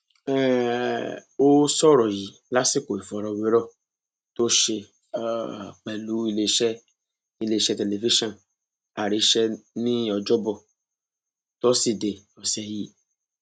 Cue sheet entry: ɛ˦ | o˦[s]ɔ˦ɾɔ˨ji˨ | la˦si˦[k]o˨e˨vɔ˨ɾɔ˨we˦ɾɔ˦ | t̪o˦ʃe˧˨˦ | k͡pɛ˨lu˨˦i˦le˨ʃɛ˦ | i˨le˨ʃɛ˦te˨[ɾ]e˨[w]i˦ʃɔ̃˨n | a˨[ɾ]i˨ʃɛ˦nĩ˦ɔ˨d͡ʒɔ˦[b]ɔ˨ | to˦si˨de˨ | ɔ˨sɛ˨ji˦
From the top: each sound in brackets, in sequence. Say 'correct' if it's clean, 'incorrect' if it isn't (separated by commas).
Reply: correct, correct, incorrect, incorrect, correct, correct